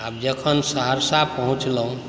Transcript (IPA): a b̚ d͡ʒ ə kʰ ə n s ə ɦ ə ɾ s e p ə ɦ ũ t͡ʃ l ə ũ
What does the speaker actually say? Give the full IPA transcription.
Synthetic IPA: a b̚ d͡ʒ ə kʰ ə n s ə ɦ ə ɾ s a p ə ɦ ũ t͡ʃ l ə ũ